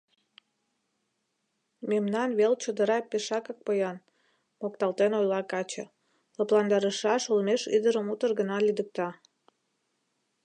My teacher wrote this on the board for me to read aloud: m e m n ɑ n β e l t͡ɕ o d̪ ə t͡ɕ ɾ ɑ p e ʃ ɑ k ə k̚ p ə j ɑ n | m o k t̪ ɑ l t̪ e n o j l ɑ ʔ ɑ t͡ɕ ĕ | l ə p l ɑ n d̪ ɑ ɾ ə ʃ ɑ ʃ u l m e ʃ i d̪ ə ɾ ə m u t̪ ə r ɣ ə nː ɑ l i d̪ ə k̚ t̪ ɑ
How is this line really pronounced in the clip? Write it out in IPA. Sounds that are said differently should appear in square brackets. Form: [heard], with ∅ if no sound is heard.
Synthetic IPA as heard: m e m n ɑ n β e l t͡ɕ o d̪ ə [∅] ɾ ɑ p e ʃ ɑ k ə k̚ p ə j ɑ n | m o k t̪ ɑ l t̪ e n o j l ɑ [k] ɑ t͡ɕ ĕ | l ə p l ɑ n d̪ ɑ ɾ ə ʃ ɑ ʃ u l m e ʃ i d̪ ə ɾ ə m u t̪ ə r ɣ ə [n] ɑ l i d̪ ə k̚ t̪ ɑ

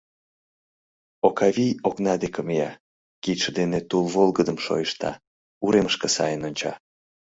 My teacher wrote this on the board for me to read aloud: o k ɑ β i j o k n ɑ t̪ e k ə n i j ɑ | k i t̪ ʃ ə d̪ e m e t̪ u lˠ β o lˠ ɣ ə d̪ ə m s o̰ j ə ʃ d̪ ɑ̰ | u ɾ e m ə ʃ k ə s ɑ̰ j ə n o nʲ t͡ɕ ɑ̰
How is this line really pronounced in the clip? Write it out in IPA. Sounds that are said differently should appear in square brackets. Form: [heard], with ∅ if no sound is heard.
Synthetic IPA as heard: o k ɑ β i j o k n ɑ [d̪] e k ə [m] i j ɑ | k i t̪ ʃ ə d̪ e [n] e t̪ u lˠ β o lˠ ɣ ə d̪ ə m [ʃ] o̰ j ə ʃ [t̪] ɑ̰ | u ɾ e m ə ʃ k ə s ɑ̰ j ə n o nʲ t͡ɕ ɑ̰

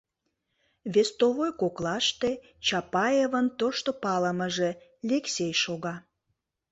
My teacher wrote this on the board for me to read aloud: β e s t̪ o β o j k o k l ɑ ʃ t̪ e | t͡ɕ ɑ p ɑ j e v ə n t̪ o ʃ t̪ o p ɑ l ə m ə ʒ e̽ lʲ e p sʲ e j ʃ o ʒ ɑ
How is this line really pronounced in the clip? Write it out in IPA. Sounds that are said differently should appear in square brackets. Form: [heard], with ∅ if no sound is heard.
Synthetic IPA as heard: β e s t̪ o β o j k o k l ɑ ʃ t̪ e | t͡ɕ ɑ p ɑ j e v ə n t̪ o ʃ t̪ o p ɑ l ə m ə ʒ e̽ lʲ e [k] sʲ e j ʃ o [ɣ] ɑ

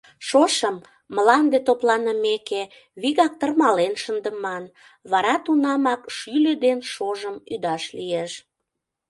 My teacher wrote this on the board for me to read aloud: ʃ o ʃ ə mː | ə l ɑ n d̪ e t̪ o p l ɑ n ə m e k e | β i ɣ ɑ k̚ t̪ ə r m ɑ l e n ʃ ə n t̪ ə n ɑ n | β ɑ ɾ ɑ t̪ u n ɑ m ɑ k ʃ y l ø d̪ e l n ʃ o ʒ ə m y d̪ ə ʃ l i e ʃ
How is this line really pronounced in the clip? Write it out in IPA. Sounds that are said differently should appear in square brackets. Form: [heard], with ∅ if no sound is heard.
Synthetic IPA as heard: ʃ o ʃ ə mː | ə l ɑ n d̪ e t̪ o p l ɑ n ə m e k e | β i ɣ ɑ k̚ t̪ ə r m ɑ l e n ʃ ə n [d̪] ə [m] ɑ n | β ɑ ɾ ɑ t̪ u n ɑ m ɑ k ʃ y l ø d̪ e [∅] n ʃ o ʒ ə m y d̪ [ɑ] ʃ l i e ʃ

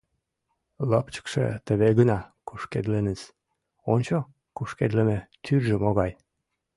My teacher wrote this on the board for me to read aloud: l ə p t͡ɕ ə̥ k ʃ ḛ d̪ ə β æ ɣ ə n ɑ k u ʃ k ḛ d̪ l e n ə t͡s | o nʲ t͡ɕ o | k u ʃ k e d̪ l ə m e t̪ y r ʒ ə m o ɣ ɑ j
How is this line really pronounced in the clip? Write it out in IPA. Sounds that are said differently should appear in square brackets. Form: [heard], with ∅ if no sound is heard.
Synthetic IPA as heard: l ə p t͡ɕ ə̥ k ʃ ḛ [t̪] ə β [e] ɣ ə n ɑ k u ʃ k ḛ d̪ l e n ə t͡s | o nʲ t͡ɕ o | k u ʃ k e d̪ l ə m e t̪ y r ʒ ə m o ɣ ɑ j

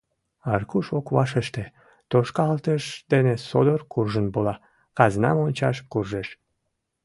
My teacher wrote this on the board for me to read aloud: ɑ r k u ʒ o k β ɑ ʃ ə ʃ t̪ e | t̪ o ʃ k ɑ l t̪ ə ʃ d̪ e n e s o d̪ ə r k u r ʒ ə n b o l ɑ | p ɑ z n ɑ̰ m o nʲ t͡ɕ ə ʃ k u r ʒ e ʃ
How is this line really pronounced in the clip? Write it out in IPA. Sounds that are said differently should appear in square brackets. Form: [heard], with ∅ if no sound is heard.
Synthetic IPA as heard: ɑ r k u [ʃ] o k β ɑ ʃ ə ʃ t̪ e | t̪ o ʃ k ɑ l t̪ ə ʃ d̪ e n e s o d̪ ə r k u r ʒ ə n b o l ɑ | [k] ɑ z n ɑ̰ m o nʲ t͡ɕ [ɑ] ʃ k u r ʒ e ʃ

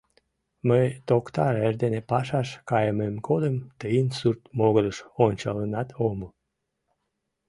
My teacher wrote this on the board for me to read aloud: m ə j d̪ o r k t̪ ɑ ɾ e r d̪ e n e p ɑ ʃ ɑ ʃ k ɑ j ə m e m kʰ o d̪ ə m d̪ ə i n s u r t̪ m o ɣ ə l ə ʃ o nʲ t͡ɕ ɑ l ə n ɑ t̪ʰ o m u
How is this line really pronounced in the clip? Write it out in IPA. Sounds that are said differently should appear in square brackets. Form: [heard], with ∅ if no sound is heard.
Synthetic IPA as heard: m ə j [t̪] o [∅] k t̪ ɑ ɾ e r d̪ e n e p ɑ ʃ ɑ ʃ k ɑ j ə m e m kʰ o d̪ ə m [t̪] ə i n s u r t̪ m o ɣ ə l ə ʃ o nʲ t͡ɕ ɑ l ə n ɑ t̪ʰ o m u

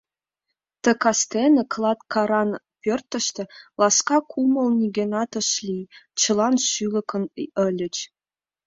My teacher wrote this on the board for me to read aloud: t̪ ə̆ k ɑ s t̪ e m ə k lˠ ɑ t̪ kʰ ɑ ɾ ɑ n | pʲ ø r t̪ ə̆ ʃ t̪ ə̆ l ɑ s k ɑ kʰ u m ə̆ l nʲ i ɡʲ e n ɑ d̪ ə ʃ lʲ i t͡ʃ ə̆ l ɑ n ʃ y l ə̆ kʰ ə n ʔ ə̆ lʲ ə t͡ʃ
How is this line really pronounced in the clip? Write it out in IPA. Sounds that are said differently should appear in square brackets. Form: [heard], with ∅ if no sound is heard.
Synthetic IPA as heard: t̪ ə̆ k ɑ s t̪ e [n] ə k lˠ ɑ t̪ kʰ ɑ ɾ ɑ n | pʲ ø r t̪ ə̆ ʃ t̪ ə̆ l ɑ s k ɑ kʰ u m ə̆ l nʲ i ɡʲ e n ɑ [t̪] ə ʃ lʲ i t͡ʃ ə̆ l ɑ n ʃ y l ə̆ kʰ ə n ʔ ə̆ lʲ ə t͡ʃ

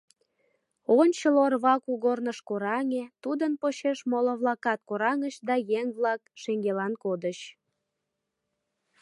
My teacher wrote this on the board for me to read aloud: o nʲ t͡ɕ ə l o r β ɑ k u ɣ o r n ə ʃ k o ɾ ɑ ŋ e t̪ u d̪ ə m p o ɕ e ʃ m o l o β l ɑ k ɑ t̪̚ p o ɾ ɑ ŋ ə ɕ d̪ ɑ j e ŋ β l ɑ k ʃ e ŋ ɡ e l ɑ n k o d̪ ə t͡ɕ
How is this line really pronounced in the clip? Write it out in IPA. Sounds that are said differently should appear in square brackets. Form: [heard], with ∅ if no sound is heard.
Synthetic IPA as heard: o nʲ t͡ɕ ə l o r β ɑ k u ɣ o r n ə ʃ k o ɾ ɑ ŋ e t̪ u d̪ ə [n] p o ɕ e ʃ m o l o β l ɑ k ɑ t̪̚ [k] o ɾ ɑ ŋ ə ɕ d̪ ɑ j e ŋ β l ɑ k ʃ e ŋ ɡ e l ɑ n k o d̪ ə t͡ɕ

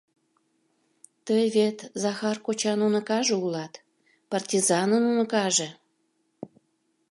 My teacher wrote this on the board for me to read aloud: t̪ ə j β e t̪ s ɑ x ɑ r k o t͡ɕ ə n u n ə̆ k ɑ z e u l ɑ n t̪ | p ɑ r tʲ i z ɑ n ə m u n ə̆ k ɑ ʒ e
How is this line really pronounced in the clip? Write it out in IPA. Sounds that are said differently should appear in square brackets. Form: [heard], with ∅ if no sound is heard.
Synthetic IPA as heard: t̪ ə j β e t̪ [z] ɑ x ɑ r k o t͡ɕ [ɑ] n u n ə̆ k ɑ [ʒ] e u l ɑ [∅] t̪ | p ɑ r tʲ i z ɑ n ə [n] u n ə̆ k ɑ ʒ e

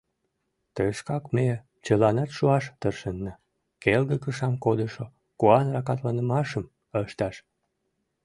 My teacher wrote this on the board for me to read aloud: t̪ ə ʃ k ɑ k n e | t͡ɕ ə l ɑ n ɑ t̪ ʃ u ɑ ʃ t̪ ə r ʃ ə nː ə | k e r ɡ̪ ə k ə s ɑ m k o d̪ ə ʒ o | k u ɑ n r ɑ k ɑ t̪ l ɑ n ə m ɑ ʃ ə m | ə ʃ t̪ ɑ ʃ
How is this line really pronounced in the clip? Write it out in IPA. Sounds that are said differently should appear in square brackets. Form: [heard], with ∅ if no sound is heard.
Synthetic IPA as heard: t̪ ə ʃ k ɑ k [m] e | t͡ɕ ə l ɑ n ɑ t̪ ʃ u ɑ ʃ t̪ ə r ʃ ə nː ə | k e [l] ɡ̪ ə k ə [ʃ] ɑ m k o d̪ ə [ʃ] o | k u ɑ n r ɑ k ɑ t̪ l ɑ n ə m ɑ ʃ ə m | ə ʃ t̪ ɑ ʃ

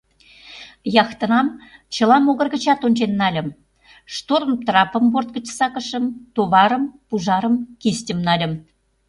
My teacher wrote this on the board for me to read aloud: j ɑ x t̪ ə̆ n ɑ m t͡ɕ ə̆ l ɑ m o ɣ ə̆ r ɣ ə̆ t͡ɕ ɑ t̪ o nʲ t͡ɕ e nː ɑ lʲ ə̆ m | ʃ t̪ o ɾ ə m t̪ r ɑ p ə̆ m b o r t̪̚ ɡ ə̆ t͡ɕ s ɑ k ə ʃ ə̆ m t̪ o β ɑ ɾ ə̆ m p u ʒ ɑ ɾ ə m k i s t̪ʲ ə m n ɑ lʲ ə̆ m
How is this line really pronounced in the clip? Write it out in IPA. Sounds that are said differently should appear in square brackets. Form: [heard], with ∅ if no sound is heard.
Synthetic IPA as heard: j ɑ x t̪ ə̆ n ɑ m t͡ɕ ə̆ l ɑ m o ɣ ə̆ r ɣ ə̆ t͡ɕ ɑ t̪ o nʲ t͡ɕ e nː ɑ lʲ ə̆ m | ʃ t̪ o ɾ ə m t̪ r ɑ p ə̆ m b o r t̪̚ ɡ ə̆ t͡ɕ s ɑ k ə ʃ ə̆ m t̪ o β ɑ ɾ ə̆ m p u ʒ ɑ ɾ ə m k i s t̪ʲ ə m n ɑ lʲ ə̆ m

